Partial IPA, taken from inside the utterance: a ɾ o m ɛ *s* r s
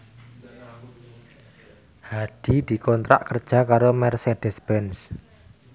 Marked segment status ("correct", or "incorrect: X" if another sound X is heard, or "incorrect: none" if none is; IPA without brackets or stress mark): incorrect: none